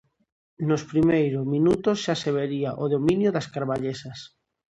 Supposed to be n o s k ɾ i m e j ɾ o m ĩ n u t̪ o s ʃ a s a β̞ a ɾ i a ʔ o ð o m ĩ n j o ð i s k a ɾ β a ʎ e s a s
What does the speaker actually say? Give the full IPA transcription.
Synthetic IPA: n o s p ɾ i m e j ɾ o m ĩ n u t̪ o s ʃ a s e β̞ e ɾ i a ʔ o ð o m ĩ n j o ð a s k a ɾ β a ʎ e s a s